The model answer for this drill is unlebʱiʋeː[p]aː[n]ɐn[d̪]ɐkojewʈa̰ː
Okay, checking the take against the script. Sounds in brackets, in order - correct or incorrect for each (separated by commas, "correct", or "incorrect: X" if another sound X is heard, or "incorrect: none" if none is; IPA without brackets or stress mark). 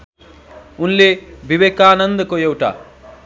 incorrect: k, correct, correct